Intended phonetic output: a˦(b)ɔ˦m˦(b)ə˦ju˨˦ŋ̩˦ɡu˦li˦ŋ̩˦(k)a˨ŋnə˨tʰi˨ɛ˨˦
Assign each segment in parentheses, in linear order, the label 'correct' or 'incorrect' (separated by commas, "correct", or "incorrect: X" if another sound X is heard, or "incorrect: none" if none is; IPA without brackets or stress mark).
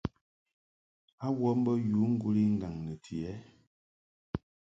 incorrect: w, correct, incorrect: ɡ